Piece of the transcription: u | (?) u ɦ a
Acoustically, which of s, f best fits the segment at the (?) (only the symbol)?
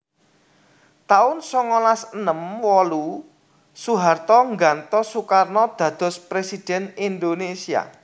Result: s